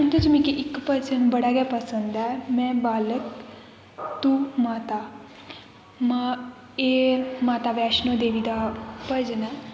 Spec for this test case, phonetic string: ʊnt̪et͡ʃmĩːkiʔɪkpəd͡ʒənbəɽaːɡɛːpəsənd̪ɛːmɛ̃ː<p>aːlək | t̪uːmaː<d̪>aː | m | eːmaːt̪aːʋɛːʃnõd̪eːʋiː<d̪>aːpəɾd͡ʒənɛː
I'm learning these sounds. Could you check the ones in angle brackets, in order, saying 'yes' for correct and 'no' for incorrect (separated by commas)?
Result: no, no, yes